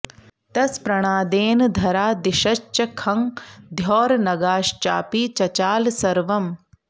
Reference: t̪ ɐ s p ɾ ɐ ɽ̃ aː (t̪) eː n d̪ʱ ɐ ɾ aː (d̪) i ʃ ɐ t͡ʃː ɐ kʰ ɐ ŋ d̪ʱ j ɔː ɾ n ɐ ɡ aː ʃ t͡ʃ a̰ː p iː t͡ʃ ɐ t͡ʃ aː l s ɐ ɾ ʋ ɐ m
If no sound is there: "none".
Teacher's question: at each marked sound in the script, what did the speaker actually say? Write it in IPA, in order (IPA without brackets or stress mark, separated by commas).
d̪, d̪